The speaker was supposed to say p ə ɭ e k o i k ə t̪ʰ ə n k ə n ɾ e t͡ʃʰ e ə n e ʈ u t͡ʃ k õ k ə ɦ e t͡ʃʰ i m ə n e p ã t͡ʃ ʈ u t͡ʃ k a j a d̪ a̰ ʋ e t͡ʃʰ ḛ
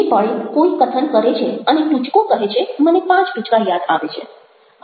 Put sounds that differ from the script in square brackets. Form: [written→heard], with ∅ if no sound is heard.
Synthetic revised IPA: p ə ɭ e k o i k ə t̪ʰ ə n k ə [n→∅] ɾ e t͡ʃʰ e ə n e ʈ u t͡ʃ k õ k ə ɦ e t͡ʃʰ [i→e] m ə n e p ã t͡ʃ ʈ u t͡ʃ k a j a d̪ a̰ ʋ e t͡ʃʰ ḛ